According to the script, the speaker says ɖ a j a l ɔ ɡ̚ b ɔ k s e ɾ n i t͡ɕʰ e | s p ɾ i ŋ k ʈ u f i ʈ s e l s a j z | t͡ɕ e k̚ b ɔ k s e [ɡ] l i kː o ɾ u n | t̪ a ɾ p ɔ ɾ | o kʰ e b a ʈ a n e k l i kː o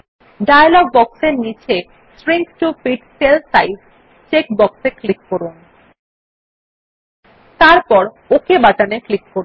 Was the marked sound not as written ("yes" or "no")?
yes